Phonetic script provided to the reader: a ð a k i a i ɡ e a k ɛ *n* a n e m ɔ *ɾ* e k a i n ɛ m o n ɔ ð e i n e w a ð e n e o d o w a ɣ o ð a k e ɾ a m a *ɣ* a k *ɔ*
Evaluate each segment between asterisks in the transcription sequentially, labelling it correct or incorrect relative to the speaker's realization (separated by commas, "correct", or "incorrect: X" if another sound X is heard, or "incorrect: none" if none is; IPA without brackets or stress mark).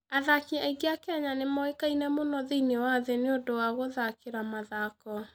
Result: incorrect: ɲ, incorrect: none, incorrect: ð, correct